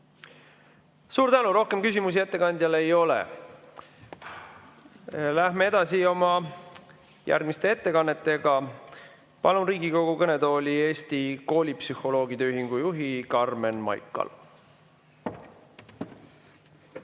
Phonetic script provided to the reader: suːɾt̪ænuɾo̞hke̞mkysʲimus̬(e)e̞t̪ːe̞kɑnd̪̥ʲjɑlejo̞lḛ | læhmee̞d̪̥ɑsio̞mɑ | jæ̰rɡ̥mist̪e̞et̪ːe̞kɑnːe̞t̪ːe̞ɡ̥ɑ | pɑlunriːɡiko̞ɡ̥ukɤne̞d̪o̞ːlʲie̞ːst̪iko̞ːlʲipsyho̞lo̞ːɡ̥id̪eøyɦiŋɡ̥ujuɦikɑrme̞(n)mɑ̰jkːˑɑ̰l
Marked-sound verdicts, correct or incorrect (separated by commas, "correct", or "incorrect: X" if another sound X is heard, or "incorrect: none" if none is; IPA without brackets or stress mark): incorrect: i, correct